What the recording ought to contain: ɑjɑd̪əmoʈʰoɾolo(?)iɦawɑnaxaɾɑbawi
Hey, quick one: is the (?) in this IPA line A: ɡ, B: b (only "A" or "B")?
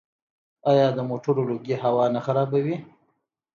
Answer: A